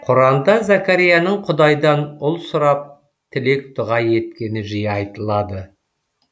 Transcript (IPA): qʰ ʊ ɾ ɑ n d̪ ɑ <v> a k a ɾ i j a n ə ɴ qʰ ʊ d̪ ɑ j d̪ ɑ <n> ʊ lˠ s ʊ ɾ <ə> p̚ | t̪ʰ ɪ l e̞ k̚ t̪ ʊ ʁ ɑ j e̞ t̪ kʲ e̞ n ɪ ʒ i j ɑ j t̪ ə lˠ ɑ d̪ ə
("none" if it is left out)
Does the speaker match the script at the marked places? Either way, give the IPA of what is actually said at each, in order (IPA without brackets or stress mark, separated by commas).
z, n, ɑ